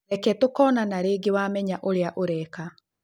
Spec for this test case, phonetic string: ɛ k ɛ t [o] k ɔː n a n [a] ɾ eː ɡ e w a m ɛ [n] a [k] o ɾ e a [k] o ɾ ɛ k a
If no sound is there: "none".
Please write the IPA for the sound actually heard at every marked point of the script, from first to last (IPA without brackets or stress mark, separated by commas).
o, a, ɲ, ʔ, ʔ